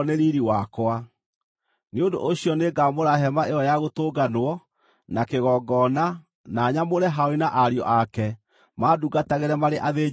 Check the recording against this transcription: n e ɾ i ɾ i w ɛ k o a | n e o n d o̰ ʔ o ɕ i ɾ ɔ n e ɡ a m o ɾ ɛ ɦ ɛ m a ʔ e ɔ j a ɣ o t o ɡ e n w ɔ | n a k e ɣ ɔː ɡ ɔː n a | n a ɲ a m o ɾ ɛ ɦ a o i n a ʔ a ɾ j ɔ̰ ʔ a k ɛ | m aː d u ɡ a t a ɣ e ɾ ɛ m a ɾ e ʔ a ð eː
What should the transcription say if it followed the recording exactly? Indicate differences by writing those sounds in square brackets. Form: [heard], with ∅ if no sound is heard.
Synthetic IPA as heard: n e ɾ i ɾ i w [a] k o a | n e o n d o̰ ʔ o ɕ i [∅] ɔ n e ɡ a m o ɾ [a] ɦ ɛ m a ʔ e ɔ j a ɣ o t o ɡ [a] n w ɔ | n a k e ɣ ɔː ɡ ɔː n a | n a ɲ a m o ɾ ɛ ɦ a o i n a ʔ a ɾ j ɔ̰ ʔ a k ɛ | m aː d u ɡ a t a ɣ e ɾ ɛ m a ɾ e ʔ a ð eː